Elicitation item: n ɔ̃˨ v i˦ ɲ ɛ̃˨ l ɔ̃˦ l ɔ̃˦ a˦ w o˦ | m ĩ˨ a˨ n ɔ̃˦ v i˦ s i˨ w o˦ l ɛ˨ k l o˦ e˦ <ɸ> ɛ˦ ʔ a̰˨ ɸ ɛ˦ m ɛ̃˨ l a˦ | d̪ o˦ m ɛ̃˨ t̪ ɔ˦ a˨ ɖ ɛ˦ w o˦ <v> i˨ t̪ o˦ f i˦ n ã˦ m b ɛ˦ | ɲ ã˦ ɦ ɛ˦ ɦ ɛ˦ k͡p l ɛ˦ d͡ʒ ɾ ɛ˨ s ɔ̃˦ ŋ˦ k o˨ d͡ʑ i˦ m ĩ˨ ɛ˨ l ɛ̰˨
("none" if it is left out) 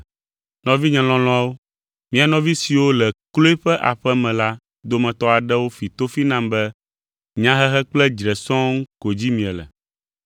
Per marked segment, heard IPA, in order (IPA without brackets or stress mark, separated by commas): ɸ, f